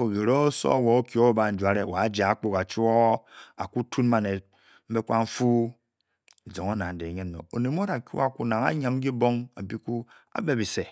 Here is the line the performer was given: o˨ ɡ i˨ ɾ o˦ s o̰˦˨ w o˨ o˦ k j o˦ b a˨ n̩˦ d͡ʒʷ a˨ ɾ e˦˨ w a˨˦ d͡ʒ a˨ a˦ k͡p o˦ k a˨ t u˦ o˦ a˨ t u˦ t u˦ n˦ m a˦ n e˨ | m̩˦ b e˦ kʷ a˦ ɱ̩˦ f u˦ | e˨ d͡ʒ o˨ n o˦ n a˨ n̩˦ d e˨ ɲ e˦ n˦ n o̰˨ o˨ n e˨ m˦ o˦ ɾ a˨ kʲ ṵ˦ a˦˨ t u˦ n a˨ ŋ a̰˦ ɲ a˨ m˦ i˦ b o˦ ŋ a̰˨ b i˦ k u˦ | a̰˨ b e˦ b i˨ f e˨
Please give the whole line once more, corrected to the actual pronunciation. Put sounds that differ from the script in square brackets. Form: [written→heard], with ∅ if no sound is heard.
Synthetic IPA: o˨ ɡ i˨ ɾ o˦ s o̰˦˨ w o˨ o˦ k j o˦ b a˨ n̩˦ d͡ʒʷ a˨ ɾ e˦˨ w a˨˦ d͡ʒ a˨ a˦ k͡p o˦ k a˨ [t→t͡ʃ] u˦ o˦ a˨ [t→k] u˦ t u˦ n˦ m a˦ n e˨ | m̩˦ b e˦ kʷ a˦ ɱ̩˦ f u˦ | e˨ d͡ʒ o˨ [n→ŋ] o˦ n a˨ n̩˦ d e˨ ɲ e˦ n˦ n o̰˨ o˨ n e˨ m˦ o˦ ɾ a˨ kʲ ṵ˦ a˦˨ [t→k] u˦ n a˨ ŋ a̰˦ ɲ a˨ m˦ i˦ b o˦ ŋ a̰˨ b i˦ k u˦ | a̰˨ b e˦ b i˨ [f→s] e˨